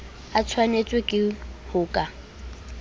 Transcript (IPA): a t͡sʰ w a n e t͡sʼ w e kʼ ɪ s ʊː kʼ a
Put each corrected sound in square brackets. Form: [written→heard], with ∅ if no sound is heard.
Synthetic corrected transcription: a t͡sʰ w a n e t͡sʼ w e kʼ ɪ [s→h] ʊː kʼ a